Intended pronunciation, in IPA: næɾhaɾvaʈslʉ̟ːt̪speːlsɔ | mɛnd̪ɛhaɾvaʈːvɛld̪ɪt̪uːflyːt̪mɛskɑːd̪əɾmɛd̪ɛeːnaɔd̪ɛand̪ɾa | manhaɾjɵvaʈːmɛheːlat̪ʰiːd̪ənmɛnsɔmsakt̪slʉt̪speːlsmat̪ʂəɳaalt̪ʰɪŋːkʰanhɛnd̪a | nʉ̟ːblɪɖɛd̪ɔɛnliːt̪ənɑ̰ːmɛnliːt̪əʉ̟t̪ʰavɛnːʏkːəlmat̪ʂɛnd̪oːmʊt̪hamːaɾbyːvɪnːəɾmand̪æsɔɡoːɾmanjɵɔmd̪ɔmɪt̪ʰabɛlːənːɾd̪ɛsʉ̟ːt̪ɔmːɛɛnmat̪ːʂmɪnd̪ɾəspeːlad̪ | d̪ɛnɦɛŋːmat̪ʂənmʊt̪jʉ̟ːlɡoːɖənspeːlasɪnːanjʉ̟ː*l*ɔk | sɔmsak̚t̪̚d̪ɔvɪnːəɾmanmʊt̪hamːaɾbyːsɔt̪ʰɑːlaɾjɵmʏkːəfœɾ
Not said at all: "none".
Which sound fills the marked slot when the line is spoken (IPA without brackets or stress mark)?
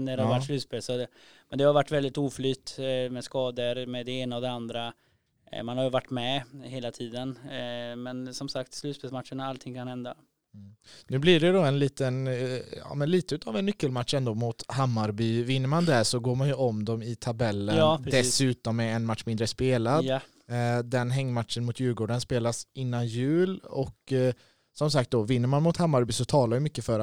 l